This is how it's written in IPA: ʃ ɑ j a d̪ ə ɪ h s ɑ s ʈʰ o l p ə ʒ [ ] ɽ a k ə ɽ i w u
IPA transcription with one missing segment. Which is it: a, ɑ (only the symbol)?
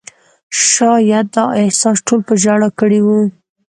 a